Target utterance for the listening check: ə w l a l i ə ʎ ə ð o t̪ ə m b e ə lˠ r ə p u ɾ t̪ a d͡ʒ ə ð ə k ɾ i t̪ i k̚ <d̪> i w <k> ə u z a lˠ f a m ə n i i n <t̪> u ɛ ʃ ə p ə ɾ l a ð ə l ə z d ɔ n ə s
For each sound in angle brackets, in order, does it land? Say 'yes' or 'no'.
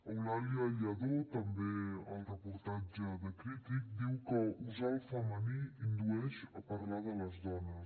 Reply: yes, yes, no

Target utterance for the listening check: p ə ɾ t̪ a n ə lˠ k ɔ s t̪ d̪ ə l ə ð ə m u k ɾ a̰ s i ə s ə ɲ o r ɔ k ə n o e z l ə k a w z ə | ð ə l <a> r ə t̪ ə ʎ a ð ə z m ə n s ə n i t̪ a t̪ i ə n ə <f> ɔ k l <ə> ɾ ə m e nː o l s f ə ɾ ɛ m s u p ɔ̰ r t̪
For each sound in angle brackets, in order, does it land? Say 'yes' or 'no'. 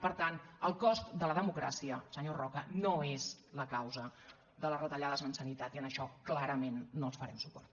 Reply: no, no, no

